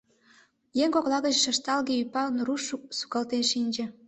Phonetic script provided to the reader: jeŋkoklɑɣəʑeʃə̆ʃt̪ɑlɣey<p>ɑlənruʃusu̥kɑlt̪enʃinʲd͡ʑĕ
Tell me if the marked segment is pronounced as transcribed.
yes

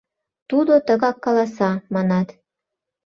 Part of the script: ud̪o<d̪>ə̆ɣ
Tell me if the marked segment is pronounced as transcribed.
no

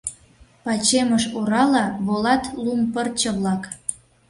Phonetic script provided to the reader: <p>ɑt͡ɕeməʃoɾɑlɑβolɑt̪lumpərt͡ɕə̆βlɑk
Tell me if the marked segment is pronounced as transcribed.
yes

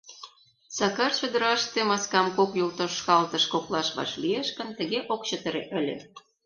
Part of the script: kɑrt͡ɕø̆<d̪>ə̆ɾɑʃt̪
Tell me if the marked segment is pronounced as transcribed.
yes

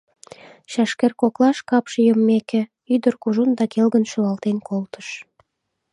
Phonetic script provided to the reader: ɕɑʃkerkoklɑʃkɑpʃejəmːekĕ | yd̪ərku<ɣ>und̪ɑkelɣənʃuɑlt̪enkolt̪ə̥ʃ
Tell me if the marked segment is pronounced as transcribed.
no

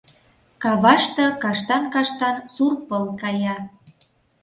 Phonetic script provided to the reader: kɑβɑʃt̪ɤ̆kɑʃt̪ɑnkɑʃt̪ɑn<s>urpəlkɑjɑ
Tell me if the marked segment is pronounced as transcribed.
yes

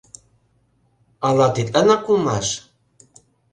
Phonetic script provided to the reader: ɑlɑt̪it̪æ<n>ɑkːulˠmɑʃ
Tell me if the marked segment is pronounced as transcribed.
yes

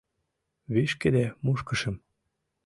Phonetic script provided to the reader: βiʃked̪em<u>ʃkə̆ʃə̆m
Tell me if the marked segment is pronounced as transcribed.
yes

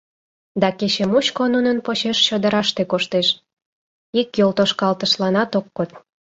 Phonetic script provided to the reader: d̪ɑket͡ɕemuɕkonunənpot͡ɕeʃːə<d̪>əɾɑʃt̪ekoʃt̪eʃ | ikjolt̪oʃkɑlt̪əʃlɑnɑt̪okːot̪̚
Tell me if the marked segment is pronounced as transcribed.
yes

